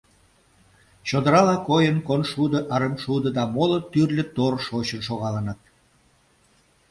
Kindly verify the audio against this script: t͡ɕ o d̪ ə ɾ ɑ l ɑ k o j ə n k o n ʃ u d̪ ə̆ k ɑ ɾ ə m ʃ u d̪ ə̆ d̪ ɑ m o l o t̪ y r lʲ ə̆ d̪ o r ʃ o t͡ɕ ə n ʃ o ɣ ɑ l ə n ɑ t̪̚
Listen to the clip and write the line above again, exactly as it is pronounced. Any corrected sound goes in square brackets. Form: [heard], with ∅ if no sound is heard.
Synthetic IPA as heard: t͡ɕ o d̪ ə ɾ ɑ l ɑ k o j ə n k o n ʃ u d̪ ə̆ [ʔ] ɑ ɾ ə m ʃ u d̪ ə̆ d̪ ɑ m o l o t̪ y r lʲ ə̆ [t̪] o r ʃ o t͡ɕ ə n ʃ o ɣ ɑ l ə n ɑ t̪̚